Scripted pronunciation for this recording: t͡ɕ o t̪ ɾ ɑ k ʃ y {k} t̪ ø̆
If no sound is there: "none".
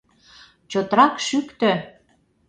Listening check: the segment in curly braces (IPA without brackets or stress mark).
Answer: k